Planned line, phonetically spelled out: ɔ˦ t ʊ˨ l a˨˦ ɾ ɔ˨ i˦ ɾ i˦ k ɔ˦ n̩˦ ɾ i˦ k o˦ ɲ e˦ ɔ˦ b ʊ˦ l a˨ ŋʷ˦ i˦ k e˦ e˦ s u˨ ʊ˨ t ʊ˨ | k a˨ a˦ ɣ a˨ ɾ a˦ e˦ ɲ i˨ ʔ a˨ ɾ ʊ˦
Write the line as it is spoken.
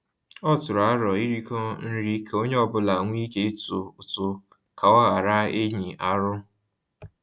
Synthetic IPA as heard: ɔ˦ t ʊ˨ ɾ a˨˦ ɾ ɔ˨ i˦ ɾ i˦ k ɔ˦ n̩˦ ɾ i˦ k o˦ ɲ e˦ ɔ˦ b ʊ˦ l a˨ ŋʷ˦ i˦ k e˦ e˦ t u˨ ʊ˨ t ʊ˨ | k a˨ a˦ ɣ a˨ ɾ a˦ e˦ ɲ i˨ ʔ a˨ ɾ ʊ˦